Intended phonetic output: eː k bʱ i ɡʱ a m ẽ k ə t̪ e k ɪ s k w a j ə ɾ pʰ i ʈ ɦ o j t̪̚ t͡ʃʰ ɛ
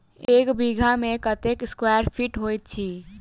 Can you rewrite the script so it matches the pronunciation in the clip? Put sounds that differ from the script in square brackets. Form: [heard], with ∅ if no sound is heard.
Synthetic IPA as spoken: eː k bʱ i ɡʱ a m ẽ k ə t̪ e k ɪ s k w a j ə ɾ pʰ i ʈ ɦ o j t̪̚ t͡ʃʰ [i]